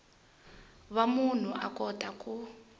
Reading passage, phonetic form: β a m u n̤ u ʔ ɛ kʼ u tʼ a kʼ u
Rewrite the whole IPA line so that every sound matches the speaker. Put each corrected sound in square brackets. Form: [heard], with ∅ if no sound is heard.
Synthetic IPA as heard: β a m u n̤ u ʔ [a] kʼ [ɔ] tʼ a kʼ u